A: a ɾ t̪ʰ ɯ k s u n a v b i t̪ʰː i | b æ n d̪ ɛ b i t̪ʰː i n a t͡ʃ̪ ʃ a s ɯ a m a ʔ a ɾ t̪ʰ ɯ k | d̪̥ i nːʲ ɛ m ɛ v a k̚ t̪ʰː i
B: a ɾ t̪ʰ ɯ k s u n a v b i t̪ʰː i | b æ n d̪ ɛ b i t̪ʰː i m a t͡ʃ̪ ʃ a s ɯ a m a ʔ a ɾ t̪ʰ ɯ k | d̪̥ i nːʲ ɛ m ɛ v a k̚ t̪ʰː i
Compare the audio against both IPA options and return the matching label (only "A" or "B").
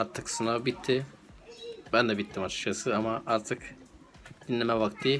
B